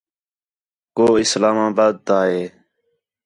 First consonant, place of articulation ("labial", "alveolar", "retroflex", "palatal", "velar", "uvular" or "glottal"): velar